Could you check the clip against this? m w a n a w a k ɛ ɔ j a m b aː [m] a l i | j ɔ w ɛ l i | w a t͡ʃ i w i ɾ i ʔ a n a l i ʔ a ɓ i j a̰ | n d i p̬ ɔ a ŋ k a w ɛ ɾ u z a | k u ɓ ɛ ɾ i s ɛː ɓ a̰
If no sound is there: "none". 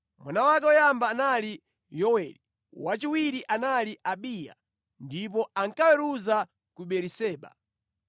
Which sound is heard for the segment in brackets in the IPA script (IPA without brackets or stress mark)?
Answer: n